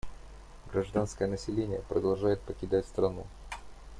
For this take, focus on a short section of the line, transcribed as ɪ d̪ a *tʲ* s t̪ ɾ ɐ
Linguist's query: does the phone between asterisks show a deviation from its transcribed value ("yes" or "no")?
no